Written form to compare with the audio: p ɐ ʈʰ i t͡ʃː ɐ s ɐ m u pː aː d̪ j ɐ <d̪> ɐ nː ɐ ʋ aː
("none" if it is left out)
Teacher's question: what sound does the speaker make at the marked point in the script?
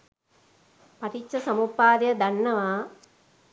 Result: d̪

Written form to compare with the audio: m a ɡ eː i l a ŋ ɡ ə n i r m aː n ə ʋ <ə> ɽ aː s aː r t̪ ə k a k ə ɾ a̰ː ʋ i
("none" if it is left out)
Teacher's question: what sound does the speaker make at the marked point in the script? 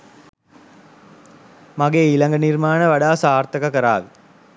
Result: a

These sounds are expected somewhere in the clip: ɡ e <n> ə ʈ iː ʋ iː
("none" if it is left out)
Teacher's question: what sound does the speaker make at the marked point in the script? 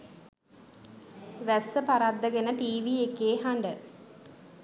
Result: n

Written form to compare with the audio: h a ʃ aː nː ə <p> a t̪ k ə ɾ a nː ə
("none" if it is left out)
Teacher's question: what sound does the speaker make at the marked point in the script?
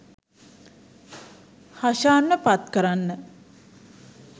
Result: p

